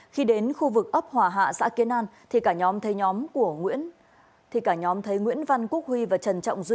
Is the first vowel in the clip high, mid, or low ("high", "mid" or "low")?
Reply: high